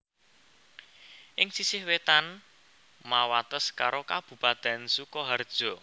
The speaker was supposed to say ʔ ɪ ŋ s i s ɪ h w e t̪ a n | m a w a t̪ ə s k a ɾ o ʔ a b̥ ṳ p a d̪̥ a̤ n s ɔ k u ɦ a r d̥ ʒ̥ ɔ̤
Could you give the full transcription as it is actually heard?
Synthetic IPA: ʔ ɪ ŋ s i s ɪ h w e t̪ a n | m a w a t̪ ə s k a ɾ o k a b̥ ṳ p a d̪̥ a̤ n s u k ɔ ɦ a r d̥ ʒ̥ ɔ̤